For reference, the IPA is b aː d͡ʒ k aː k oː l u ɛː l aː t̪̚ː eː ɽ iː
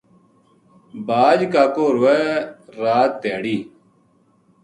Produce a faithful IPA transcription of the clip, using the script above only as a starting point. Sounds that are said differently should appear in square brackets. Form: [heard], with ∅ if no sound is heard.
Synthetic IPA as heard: b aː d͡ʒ k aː k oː [ɾ] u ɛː [ɾ] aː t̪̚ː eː ɽ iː